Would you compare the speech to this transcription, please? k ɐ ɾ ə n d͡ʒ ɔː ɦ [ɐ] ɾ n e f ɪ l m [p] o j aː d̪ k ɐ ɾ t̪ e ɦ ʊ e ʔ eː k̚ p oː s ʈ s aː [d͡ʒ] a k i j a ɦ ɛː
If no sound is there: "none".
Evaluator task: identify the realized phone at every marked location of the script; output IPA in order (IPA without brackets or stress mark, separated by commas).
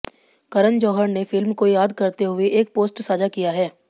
ə, k, d͡ʒ